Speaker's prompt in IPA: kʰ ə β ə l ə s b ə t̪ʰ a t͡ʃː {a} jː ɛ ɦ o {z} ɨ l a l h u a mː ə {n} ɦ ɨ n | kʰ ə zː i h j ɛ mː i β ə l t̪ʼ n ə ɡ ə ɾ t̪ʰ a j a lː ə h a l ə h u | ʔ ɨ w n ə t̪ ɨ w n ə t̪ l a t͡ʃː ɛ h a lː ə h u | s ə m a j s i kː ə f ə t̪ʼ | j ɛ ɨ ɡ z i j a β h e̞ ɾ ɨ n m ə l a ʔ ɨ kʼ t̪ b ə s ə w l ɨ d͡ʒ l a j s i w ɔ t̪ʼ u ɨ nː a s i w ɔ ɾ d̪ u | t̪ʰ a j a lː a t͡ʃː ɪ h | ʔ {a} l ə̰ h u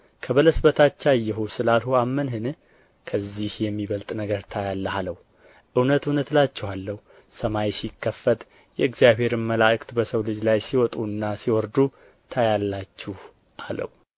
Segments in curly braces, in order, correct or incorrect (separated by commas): correct, incorrect, correct, correct